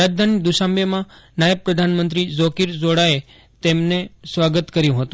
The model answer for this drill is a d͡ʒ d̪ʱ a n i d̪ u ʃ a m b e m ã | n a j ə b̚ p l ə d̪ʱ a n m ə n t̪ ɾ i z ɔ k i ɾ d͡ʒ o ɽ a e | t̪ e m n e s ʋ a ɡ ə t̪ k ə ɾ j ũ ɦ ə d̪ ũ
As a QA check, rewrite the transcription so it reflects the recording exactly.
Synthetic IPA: a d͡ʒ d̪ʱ a n i d̪ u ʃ a m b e m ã | n a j ə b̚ p ɾ ə d̪ʱ a n m ə n t̪ ɾ i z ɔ k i ɾ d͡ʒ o ɽ a e | t̪ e m n e s ʋ a ɡ ə t̪ k ə ɾ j ũ ɦ ə t̪ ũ